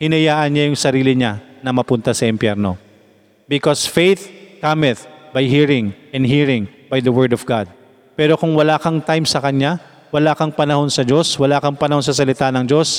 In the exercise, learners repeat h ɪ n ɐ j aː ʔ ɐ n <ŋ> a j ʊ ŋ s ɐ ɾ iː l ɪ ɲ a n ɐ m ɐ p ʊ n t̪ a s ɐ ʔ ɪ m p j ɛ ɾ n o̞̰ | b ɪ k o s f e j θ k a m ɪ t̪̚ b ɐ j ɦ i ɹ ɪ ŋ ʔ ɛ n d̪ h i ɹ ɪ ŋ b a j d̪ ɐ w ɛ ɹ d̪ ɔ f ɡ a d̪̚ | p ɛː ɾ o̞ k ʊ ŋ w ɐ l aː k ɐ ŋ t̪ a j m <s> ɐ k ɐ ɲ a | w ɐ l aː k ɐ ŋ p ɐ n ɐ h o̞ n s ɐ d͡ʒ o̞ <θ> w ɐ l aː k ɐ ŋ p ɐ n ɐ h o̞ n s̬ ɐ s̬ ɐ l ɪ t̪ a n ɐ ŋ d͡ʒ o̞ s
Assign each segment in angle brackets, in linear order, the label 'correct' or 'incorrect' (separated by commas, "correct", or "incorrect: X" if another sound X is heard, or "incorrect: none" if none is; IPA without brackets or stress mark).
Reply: incorrect: ɲ, correct, incorrect: s